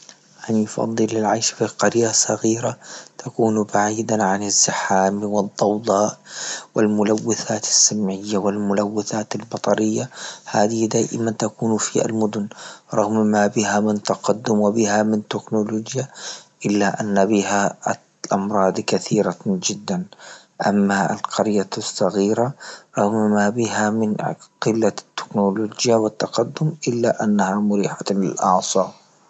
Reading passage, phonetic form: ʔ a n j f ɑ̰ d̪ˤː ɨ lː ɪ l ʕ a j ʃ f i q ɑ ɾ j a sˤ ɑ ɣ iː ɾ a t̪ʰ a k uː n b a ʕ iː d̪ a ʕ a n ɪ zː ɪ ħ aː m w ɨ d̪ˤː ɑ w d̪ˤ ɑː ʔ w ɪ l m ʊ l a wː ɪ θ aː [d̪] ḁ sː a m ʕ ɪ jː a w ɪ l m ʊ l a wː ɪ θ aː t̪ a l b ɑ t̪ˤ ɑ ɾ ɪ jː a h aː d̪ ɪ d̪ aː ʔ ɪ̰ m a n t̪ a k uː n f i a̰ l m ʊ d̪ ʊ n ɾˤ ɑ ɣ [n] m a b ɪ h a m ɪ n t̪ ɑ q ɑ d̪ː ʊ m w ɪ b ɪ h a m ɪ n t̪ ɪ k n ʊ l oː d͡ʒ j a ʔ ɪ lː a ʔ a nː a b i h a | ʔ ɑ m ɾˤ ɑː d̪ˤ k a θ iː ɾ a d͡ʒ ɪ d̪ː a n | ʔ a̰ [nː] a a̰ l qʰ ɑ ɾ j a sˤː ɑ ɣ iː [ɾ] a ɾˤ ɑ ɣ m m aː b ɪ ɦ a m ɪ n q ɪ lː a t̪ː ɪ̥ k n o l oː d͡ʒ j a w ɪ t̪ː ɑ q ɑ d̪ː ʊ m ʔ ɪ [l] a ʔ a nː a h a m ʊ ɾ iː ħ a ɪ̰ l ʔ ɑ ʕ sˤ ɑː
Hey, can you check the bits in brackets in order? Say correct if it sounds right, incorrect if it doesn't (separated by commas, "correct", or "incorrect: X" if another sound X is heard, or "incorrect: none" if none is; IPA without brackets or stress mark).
incorrect: t̪, incorrect: m, incorrect: mː, correct, incorrect: lː